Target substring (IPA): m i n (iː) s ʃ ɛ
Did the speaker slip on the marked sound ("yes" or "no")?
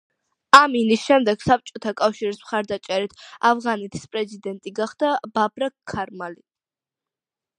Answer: yes